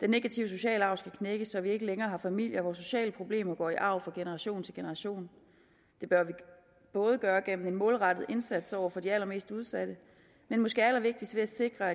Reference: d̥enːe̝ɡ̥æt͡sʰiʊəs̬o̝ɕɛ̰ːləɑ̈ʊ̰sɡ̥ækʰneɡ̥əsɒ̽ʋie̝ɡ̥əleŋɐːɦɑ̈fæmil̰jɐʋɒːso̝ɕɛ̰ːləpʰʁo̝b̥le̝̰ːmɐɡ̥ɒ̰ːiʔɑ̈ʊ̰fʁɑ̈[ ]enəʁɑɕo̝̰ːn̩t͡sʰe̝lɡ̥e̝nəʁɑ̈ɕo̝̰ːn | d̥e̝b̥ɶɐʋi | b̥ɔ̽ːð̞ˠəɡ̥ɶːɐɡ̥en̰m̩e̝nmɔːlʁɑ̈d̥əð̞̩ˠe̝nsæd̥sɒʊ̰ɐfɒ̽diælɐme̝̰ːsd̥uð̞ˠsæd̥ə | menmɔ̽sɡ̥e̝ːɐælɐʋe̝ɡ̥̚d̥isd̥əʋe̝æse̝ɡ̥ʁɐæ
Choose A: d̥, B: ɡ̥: B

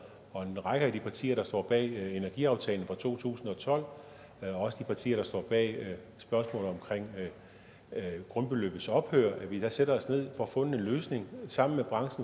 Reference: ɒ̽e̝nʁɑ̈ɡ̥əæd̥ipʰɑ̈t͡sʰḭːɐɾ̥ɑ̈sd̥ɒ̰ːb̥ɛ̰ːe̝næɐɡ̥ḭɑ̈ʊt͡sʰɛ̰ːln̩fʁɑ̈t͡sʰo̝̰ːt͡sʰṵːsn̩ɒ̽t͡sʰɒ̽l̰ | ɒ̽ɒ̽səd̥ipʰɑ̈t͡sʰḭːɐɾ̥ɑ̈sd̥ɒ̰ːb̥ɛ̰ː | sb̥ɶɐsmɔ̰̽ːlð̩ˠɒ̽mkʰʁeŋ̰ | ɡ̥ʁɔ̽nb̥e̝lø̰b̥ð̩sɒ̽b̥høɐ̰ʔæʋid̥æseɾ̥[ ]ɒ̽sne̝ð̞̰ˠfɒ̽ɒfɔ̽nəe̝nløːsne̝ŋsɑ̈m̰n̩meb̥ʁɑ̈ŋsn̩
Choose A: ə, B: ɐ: B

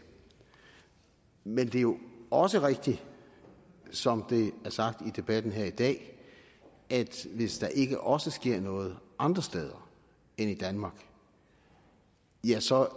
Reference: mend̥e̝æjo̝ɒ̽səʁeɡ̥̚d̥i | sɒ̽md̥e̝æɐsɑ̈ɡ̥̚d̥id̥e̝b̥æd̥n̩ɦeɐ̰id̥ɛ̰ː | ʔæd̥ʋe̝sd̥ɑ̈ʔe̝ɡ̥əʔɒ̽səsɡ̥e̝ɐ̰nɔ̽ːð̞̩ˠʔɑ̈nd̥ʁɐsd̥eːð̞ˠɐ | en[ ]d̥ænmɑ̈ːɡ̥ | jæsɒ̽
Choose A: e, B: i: B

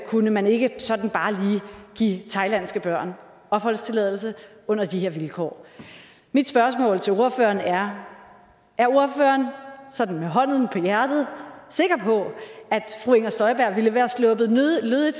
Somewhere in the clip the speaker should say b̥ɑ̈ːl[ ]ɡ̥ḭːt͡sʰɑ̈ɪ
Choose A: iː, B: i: A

